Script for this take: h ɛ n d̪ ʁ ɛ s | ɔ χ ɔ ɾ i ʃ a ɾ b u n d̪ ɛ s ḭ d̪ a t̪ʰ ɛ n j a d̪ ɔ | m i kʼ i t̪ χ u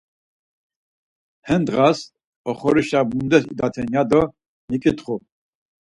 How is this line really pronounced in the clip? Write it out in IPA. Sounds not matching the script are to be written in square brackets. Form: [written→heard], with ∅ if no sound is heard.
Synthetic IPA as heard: h ɛ n d̪ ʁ [ɛ→a] s | ɔ χ ɔ ɾ i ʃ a [ɾ→∅] b u n d̪ ɛ s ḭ d̪ a t̪ʰ ɛ n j a d̪ ɔ | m i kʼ i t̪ χ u